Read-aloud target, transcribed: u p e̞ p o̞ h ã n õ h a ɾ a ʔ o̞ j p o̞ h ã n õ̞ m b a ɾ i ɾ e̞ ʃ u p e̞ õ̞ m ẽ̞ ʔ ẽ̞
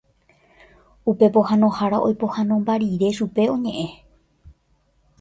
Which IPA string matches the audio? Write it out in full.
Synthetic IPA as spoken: u p e̞ p o̞ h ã n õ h a ɾ a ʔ o̞ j p o̞ h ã n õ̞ m b a ɾ i ɾ e̞ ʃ u p e̞ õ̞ ɲ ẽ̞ ʔ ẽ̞